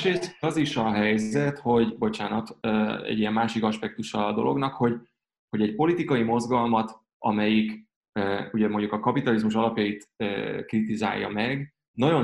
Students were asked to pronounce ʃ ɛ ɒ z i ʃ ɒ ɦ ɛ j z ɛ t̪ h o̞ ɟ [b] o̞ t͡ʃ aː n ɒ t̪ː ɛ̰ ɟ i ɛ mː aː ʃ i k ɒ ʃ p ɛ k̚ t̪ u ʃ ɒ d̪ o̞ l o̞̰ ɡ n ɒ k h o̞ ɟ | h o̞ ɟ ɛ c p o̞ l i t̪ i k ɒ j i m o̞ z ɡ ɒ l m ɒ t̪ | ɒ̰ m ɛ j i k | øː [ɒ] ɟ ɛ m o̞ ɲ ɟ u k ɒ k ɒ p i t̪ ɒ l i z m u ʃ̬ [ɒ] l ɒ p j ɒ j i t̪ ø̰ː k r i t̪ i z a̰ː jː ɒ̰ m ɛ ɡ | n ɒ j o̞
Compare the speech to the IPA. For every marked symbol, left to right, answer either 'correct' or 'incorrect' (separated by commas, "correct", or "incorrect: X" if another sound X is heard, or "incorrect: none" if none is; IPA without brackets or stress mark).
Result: correct, incorrect: u, correct